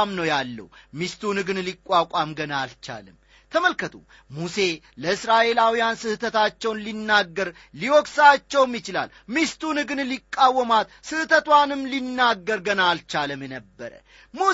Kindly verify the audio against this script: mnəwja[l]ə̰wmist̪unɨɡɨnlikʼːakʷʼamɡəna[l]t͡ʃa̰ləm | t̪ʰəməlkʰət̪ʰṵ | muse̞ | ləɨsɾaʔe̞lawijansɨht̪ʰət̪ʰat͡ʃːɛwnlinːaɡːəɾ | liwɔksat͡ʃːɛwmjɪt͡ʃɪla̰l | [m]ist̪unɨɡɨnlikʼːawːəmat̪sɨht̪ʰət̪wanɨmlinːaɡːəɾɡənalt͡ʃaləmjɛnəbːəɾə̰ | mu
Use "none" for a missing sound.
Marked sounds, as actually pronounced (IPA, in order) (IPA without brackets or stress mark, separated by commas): lː, l, m